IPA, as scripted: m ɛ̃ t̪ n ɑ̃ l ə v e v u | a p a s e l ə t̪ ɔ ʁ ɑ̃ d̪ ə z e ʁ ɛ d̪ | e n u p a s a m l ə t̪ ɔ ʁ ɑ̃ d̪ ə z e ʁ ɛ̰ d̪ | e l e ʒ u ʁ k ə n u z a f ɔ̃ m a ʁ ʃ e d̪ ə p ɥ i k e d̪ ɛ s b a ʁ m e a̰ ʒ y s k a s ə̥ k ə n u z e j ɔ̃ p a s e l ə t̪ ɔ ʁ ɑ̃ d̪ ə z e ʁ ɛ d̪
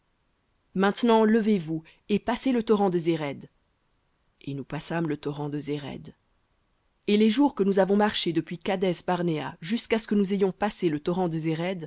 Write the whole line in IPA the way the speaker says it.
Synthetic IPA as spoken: m ɛ̃ t̪ n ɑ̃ l ə v e v u | e p a s e l ə t̪ ɔ ʁ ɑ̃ d̪ ə z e ʁ ɛ d̪ | e n u p a s a m l ə t̪ ɔ ʁ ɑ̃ d̪ ə z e ʁ ɛ̰ d̪ | e l e ʒ u ʁ k ə n u z a v ɔ̃ m a ʁ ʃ e d̪ ə p ɥ i k a d̪ ɛ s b a ʁ n e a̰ ʒ y s k a s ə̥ k ə n u z e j ɔ̃ p a s e l ə t̪ ɔ ʁ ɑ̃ d̪ ə z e ʁ ɛ d̪

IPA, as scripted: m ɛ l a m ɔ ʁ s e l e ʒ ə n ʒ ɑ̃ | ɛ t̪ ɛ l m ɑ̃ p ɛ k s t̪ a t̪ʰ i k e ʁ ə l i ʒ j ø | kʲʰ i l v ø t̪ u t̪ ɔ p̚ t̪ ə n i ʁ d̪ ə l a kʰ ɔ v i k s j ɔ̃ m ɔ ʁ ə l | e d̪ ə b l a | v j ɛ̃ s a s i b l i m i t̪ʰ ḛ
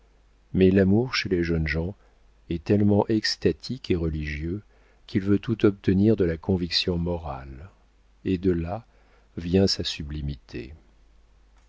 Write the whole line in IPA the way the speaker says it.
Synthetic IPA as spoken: m ɛ l a m u ʁ ʃ e l e ʒ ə n ʒ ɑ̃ | ɛ t̪ ɛ l m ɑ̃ ʔ ɛ k s t̪ a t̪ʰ i k e ʁ ə l i ʒ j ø | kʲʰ i l v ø t̪ u t̪ ɔ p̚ t̪ ə n i ʁ d̪ ə l a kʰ ɔ̃ v i k s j ɔ̃ m ɔ ʁ a l | e d̪ ə l a | v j ɛ̃ s a s y b l i m i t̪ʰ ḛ

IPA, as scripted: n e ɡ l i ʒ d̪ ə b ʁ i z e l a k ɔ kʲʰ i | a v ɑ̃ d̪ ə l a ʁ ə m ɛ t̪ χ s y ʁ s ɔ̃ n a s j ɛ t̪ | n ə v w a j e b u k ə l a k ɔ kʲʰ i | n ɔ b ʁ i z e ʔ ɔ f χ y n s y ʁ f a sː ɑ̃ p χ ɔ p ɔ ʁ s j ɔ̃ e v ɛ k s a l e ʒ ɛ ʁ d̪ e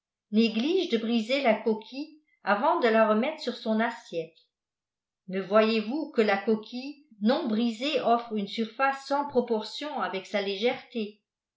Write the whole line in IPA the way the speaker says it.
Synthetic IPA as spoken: n e ɡ l i ʒ d̪ ə b ʁ i z e l a k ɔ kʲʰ i | a v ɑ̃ d̪ ə l a ʁ ə m ɛ t̪ χ s y ʁ s ɔ̃ n a s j ɛ t̪ | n ə v w a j e v u k ə l a k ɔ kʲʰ i | n ɔ̃ b ʁ i z e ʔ ɔ f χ y n s y ʁ f a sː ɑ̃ p χ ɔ p ɔ ʁ s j ɔ̃ a v ɛ k s a l e ʒ ɛ ʁ t̪ e

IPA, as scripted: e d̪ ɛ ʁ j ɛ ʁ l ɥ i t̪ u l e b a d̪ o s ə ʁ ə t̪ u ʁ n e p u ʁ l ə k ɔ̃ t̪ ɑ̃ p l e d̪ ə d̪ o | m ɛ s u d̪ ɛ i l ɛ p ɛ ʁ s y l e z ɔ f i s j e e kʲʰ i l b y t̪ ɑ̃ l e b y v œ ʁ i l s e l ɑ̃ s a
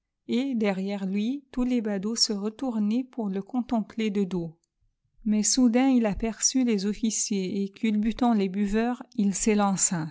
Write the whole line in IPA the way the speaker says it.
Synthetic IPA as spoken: e d̪ ɛ ʁ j ɛ ʁ l ɥ i t̪ u l e b a d̪ o s ə ʁ ə t̪ u ʁ n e p u ʁ l ə k ɔ̃ t̪ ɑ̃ p l e d̪ ə d̪ o | m ɛ s u d̪ ɛ̃ i l a p ɛ ʁ s y l e z ɔ f i s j e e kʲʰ y l b y t̪ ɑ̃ l e b y v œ ʁ i l s e l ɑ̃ s a

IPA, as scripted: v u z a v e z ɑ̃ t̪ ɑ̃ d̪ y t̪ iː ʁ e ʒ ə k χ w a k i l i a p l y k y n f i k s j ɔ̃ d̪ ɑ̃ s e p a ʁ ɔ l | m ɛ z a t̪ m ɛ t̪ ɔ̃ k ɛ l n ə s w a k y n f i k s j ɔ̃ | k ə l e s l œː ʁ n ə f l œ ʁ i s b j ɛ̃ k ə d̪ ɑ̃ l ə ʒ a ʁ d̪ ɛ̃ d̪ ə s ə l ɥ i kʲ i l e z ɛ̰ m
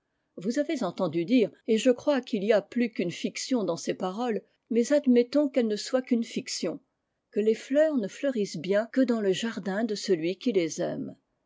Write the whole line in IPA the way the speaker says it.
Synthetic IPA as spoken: v u z a v e z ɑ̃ t̪ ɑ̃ d̪ y d̪ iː ʁ e ʒ ə k χ w a k i l i a p l y k y n f i k s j ɔ̃ d̪ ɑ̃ s e p a ʁ ɔ l | m ɛ z a d̪ m ɛ t̪ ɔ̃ k ɛ l n ə s w a k y n f i k s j ɔ̃ | k ə l e f l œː ʁ n ə f l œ ʁ i s b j ɛ̃ k ə d̪ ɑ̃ l ə ʒ a ʁ d̪ ɛ̃ d̪ ə s ə l ɥ i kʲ i l e z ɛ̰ m

